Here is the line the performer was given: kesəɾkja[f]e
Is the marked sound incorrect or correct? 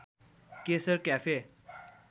correct